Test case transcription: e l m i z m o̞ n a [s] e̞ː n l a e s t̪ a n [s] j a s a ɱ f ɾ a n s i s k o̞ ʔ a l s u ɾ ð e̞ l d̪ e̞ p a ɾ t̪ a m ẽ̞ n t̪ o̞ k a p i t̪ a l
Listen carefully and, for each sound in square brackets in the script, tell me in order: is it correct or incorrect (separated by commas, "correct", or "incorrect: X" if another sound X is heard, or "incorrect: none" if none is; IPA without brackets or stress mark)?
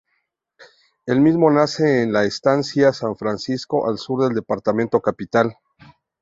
correct, correct